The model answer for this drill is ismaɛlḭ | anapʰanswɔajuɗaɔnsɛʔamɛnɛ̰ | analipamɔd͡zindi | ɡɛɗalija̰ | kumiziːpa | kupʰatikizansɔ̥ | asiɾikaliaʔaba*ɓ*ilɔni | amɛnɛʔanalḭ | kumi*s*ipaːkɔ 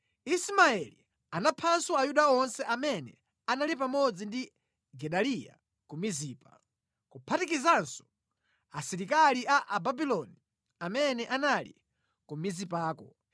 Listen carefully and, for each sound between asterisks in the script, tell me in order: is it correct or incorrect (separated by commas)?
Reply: incorrect, incorrect